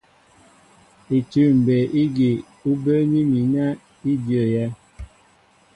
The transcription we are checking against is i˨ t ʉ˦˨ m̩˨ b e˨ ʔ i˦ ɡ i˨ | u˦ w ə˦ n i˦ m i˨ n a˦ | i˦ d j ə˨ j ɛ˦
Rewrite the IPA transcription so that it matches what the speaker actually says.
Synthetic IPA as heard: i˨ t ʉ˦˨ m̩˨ b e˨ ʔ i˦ ɡ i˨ | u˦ b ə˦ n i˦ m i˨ n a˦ | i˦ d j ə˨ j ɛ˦